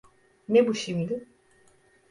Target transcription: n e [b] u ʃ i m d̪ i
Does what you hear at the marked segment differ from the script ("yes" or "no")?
no